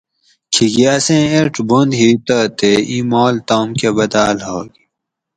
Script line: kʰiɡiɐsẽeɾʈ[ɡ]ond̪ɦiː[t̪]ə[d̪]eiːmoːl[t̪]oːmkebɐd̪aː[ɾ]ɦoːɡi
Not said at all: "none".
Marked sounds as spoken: b, t̪, t̪, t̪, l

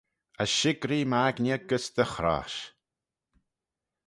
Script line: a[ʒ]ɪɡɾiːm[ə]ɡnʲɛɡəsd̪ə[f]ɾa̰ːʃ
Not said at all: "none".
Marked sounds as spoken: ʃ, a, x

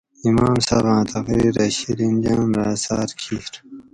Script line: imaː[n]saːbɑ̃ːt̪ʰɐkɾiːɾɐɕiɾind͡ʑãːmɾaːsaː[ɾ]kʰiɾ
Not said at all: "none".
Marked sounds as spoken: m, ɾ

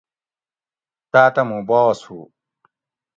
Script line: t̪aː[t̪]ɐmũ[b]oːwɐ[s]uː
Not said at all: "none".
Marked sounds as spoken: t̪, b, s

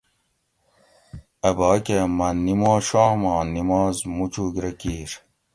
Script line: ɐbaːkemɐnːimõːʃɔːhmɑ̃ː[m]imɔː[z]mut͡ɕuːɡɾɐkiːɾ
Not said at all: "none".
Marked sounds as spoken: n, z

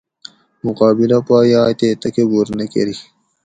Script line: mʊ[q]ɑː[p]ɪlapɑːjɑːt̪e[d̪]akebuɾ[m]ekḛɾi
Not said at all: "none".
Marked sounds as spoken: q, b, t̪, n

